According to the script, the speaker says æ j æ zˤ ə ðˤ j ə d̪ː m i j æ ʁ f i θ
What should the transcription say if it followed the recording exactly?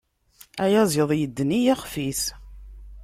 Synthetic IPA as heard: æ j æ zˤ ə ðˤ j ə d̪ː n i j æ χ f i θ